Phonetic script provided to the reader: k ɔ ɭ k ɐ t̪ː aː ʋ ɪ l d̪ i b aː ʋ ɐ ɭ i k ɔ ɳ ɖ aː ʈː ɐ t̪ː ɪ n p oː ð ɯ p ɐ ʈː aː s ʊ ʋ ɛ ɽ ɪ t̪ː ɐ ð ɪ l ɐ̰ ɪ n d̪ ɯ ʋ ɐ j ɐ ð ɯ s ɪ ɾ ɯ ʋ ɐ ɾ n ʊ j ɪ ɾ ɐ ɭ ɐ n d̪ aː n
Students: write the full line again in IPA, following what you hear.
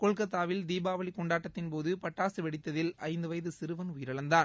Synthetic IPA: k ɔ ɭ k ɐ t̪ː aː ʋ ɪ l d̪ iː b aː ʋ ɐ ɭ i k ɔ ɳ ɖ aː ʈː ɐ t̪ː ɪ n p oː ð ɯ p ɐ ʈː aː s ɯ ʋ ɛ ɽ ɪ t̪ː ɐ ð ɪ l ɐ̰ ɪ n d̪ ɯ ʋ ɐ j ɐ ð ɯ s ɪ ɾ ɯ ʋ ɐ n ʊ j ɪ ɾ ɐ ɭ ɐ n d̪ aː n